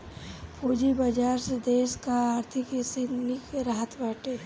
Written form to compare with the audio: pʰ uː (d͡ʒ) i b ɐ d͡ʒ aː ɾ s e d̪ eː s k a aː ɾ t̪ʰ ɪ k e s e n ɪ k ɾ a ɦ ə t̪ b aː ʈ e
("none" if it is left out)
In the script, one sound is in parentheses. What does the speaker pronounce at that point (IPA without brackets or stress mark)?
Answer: d͡ʒ